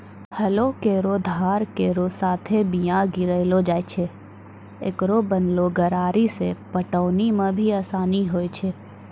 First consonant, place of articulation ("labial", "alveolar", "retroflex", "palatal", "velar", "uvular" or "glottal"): glottal